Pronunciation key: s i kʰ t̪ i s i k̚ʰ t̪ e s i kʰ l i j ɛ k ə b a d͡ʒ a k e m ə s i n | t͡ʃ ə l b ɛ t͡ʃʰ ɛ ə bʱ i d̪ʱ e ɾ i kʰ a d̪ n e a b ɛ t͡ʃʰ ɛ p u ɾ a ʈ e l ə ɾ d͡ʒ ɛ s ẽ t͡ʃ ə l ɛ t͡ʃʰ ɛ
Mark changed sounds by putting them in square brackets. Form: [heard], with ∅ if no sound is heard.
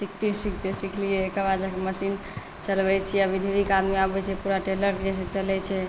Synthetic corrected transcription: s i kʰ t̪ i s i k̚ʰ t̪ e s i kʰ l i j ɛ k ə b a d͡ʒ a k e m ə s i n | t͡ʃ ə l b ɛ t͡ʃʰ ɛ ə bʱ i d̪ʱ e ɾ i [k] a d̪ [m] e a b ɛ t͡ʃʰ ɛ p u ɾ a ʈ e l ə ɾ d͡ʒ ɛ s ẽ t͡ʃ ə l ɛ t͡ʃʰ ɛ